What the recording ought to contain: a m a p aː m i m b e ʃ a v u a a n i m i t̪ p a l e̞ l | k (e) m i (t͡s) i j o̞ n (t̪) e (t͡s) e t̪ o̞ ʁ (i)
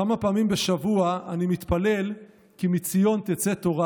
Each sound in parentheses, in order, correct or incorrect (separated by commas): incorrect, correct, correct, correct, incorrect